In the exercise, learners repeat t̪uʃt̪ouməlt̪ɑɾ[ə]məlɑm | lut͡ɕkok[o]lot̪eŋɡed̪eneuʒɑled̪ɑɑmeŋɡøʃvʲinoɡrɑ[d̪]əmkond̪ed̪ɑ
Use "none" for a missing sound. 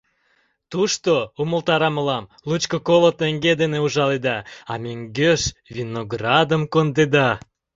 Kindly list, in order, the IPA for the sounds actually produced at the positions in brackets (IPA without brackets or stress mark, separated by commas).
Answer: ɑ, o, d̪